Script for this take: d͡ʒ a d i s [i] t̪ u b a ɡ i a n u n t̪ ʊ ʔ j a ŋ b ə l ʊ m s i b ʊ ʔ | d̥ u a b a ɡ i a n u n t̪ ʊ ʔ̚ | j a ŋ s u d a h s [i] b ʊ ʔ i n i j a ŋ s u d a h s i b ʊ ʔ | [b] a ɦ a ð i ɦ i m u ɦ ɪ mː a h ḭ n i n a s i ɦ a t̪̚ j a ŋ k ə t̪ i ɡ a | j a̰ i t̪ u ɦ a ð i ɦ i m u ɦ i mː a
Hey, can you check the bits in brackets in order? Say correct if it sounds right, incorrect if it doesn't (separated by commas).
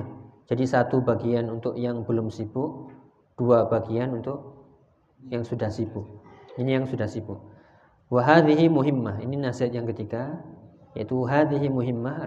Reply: incorrect, correct, incorrect